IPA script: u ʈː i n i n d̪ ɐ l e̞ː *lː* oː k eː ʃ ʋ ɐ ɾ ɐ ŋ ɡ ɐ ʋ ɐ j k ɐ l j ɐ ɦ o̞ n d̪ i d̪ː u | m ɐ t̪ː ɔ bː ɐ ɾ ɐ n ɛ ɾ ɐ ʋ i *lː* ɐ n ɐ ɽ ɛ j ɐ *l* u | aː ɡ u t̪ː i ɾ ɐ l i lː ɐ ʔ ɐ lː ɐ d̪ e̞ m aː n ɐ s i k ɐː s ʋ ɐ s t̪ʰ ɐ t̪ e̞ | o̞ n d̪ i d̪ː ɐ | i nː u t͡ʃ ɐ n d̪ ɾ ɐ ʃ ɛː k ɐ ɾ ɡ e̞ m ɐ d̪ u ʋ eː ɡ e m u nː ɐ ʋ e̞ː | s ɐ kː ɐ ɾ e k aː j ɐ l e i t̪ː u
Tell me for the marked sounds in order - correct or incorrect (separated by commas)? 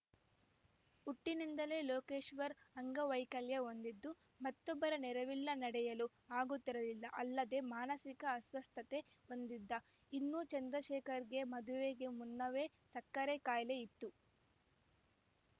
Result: incorrect, correct, correct